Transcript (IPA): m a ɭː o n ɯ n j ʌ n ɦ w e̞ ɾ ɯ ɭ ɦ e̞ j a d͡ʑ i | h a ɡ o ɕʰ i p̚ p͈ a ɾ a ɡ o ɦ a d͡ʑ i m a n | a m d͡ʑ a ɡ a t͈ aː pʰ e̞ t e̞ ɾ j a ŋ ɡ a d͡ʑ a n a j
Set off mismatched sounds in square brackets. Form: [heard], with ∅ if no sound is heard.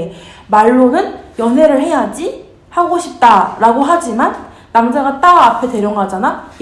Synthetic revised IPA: m a ɭː o n ɯ n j ʌ n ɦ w e̞ ɾ ɯ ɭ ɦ e̞ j a d͡ʑ i | h a ɡ o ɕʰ i p̚ [t͈] a ɾ a ɡ o ɦ a d͡ʑ i m a [nː] | a m d͡ʑ a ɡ a t͈ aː pʰ e̞ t e̞ ɾ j [ʌ] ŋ ɡ a d͡ʑ a n a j